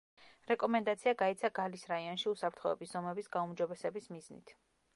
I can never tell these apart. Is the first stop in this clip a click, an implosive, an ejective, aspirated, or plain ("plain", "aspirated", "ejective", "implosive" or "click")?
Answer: ejective